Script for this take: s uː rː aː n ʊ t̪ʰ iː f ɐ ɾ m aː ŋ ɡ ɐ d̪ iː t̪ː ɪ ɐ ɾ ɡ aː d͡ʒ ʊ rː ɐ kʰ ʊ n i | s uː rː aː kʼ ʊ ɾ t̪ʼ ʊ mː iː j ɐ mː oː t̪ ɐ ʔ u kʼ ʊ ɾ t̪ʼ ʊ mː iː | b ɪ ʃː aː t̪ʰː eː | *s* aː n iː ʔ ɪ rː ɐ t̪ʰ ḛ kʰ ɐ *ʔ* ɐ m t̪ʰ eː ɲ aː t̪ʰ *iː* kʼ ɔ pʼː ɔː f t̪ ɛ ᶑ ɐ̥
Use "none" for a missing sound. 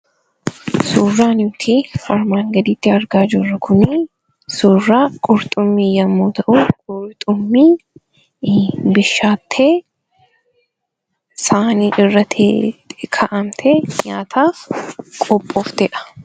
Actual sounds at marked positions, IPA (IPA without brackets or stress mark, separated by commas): s, ʔ, aː